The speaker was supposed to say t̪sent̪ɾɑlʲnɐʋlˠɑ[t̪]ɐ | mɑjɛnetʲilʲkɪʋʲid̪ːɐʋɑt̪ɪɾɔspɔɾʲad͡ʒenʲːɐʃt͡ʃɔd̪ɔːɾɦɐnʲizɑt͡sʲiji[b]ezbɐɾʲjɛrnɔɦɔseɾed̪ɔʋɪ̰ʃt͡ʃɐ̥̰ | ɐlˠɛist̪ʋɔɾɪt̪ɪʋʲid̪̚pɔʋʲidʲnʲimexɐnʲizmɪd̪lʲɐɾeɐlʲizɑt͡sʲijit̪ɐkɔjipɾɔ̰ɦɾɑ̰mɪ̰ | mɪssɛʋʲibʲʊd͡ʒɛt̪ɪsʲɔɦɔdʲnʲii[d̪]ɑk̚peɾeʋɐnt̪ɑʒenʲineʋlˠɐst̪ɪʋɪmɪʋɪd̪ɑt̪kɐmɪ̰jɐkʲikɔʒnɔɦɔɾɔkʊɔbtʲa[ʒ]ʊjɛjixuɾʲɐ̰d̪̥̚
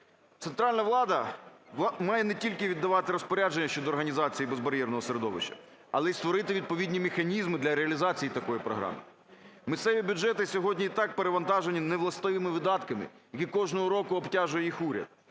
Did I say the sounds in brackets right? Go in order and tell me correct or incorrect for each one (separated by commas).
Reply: incorrect, correct, incorrect, correct